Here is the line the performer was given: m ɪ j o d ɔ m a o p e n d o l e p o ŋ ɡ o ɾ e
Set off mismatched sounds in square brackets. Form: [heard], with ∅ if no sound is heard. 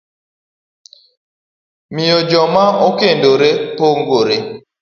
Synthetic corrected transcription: m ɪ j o [d͡ʒ] ɔ m a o [k] e n d o [ɾ] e p o ŋ ɡ o ɾ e